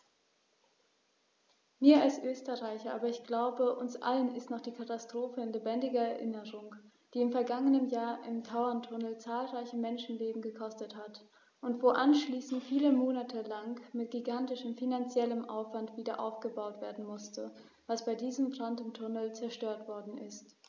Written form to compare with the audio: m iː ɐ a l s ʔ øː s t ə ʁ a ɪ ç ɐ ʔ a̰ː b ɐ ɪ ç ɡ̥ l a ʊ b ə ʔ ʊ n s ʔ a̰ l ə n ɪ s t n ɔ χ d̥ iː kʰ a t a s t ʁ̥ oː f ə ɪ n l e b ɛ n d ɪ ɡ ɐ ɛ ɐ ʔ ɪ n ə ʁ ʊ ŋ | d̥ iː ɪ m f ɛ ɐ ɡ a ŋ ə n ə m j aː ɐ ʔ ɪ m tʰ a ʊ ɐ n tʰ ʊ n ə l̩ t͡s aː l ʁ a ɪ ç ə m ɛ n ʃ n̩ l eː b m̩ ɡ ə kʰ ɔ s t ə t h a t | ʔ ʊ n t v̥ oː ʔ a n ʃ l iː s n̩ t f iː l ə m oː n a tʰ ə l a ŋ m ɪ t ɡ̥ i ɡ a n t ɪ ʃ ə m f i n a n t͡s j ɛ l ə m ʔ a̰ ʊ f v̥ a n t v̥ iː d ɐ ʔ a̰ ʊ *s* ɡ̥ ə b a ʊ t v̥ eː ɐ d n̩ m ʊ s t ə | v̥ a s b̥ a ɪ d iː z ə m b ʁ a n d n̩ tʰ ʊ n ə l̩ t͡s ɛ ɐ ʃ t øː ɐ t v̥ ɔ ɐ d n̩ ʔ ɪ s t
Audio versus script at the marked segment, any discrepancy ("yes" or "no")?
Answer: yes